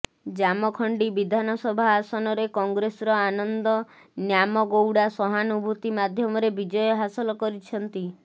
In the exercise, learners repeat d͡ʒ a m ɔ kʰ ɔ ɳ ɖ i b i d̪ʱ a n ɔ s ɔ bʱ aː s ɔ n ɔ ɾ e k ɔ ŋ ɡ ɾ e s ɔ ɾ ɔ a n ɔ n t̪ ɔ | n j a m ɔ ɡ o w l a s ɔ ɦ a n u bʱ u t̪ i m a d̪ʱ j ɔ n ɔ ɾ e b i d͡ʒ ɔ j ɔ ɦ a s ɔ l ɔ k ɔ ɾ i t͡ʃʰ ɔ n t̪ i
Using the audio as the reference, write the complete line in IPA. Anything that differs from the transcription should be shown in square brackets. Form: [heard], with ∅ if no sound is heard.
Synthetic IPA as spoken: d͡ʒ a m ɔ kʰ ɔ ɳ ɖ i b i d̪ʱ a n ɔ s ɔ bʱ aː s ɔ n ɔ ɾ e k ɔ ŋ ɡ ɾ e s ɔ ɾ ɔ a n ɔ n [d̪] ɔ | n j a m ɔ ɡ o w [ɽ] a s ɔ ɦ a n u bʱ u t̪ i m a d̪ʱ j ɔ [m] ɔ ɾ e b i d͡ʒ ɔ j ɔ ɦ a s ɔ l ɔ k ɔ ɾ i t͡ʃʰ ɔ n t̪ i